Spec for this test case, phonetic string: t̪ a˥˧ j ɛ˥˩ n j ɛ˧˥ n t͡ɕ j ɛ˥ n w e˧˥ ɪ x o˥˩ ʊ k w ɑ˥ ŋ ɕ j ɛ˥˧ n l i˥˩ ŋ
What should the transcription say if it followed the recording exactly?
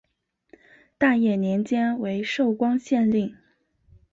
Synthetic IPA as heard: t̪ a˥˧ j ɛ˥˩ n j ɛ˧˥ n t͡ɕ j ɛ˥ n w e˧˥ ɪ ʂ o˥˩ ʊ k w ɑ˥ ŋ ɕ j ɛ˥˧ n l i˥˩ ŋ